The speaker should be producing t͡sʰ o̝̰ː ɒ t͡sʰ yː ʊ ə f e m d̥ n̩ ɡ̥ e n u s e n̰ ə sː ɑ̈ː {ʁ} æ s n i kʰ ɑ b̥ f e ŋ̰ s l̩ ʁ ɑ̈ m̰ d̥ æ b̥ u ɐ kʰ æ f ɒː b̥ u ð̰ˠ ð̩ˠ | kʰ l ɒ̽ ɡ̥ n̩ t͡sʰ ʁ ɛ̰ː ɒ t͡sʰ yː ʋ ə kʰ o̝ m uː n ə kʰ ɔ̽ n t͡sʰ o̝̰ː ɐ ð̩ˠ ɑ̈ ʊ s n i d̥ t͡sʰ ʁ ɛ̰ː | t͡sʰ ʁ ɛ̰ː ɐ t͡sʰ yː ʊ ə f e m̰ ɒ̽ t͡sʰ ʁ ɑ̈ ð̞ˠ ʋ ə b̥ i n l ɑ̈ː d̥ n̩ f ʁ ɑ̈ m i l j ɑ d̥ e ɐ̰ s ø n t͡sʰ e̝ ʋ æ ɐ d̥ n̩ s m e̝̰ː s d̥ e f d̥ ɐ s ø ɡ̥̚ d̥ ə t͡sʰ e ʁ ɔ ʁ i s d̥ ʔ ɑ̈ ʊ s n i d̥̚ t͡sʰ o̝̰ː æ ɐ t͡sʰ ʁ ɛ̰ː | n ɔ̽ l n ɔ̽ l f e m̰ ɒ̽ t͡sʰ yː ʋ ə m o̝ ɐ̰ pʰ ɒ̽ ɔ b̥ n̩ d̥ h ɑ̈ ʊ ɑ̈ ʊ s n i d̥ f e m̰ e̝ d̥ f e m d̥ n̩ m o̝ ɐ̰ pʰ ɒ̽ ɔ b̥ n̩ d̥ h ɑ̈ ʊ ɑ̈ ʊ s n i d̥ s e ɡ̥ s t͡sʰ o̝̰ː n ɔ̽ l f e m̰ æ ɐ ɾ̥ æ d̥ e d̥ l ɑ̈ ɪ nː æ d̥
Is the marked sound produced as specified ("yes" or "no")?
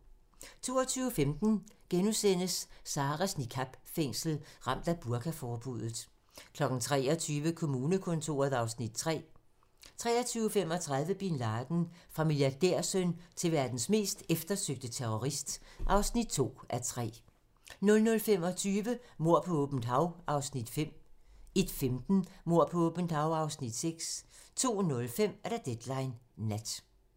yes